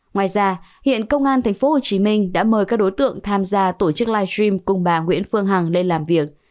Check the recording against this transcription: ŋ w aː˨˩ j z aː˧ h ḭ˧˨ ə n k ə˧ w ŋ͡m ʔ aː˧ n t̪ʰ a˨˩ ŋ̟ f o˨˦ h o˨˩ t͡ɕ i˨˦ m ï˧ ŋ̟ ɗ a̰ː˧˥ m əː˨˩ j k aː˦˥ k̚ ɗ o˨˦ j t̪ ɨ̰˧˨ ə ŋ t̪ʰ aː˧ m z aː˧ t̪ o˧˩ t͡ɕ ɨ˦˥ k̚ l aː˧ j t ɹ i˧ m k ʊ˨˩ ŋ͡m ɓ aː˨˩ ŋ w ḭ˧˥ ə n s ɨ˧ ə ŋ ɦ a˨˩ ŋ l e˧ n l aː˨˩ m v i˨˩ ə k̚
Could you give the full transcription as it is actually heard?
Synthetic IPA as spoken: ŋ w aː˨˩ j z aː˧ h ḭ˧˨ ə n k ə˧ w ŋ͡m ʔ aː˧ n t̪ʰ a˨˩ ŋ̟ f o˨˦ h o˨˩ t͡ɕ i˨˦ m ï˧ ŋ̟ ɗ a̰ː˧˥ m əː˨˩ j k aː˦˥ k̚ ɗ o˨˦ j t̪ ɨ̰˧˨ ə ŋ t̪ʰ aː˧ m z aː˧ t̪ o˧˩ t͡ɕ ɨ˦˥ k̚ l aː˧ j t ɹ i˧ m k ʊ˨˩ ŋ͡m ɓ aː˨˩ ŋ w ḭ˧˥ ə n f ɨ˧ ə ŋ ɦ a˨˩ ŋ l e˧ n l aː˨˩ m v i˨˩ ə k̚